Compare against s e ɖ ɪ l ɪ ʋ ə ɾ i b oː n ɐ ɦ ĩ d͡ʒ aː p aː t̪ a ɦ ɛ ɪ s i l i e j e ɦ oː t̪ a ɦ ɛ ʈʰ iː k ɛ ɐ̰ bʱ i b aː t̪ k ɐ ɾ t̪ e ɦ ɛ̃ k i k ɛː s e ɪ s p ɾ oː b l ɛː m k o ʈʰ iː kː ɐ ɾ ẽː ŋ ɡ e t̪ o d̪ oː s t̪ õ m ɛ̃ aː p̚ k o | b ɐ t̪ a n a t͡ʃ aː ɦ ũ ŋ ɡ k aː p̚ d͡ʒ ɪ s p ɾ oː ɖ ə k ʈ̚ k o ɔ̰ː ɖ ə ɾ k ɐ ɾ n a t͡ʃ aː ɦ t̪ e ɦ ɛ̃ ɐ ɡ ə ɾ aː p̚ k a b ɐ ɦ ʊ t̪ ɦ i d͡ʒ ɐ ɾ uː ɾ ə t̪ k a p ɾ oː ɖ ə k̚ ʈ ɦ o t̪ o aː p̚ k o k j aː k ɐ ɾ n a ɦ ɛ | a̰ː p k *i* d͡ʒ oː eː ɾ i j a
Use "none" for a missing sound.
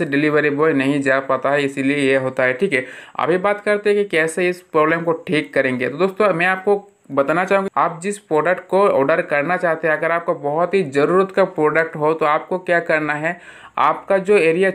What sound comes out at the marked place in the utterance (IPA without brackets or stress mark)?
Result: a